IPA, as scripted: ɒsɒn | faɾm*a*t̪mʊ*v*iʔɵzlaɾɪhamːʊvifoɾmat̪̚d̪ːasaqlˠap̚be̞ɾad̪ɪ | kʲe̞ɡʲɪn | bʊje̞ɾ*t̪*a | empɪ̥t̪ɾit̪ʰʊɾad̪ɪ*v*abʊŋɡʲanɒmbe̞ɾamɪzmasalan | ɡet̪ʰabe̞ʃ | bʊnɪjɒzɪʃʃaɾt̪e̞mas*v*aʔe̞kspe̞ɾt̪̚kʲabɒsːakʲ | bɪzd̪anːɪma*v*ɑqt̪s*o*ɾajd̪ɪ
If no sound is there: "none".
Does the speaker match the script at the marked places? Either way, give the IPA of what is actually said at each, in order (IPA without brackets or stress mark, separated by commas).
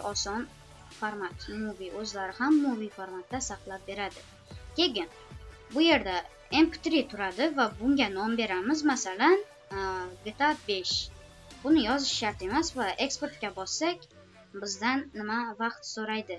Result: a, v, d̪, v, v, v, o